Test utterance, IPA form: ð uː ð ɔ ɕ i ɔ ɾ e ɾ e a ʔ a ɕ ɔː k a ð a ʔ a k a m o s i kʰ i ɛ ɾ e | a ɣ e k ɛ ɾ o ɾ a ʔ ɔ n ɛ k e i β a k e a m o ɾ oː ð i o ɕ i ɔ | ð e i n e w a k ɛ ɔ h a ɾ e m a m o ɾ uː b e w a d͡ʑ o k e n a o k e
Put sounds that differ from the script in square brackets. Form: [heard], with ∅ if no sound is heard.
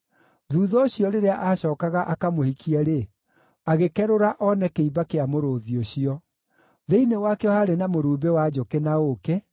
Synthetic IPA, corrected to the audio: ð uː ð ɔ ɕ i ɔ ɾ e ɾ e a ʔ a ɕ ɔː k a [ɣ] a ʔ a k a m o [h] i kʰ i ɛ ɾ e | a ɣ e k ɛ ɾ o ɾ a ʔ ɔ n ɛ k e i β a k e a m o ɾ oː ð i o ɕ i ɔ | ð e i n e w a k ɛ ɔ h a ɾ e [n] a m o ɾ uː b e w a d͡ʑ o k e n a o k e